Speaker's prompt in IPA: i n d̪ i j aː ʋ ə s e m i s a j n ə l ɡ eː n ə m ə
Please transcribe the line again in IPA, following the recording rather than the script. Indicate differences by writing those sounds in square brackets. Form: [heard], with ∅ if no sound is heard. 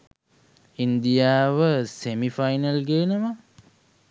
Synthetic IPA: i n d̪ i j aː ʋ ə s e m i [f] a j n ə l ɡ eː n ə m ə